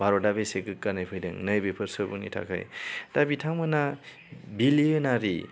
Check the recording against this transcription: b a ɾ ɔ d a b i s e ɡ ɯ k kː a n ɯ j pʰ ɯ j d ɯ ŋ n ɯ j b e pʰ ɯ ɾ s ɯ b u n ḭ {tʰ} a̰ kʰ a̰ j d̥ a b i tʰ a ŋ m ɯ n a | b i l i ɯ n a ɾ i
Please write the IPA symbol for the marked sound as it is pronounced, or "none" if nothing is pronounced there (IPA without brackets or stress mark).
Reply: tʰ